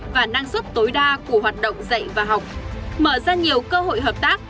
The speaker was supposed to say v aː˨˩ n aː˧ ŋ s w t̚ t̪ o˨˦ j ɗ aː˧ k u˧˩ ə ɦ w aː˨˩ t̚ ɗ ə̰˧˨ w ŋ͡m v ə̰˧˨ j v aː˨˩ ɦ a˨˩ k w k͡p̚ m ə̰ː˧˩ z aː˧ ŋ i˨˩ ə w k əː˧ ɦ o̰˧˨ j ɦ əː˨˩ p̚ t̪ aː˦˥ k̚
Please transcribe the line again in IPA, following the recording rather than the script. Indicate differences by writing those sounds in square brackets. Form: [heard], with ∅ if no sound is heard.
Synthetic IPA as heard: v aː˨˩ n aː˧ ŋ s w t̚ t̪ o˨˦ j ɗ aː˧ k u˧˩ ə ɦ w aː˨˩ t̚ ɗ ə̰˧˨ w ŋ͡m [z] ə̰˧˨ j v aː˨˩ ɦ a˨˩ [∅] w k͡p̚ m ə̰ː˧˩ z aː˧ [ɲ] i˨˩ ə w k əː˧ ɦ o̰˧˨ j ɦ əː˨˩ p̚ t̪ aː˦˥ k̚

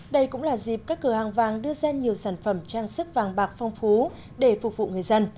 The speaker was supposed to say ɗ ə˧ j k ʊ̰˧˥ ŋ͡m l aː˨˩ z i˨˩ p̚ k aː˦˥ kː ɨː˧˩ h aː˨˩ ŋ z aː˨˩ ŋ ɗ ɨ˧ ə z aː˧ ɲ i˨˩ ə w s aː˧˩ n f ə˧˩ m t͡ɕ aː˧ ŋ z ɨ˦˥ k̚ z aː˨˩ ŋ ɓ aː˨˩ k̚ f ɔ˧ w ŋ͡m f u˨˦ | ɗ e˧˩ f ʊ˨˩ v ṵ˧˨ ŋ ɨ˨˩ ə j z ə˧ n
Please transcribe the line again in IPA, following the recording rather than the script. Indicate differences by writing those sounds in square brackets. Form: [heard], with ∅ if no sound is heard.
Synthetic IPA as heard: ɗ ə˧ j k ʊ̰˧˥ ŋ͡m l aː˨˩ z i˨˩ p̚ k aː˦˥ kː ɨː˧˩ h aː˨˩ ŋ [v] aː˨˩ ŋ ɗ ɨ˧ ə z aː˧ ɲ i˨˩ ə w s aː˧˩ n f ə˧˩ m t͡ɕ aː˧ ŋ [s] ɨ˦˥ k̚ [v] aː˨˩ ŋ ɓ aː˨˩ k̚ f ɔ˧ w ŋ͡m f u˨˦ | ɗ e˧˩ f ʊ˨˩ v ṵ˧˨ ŋ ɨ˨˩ ə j z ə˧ n

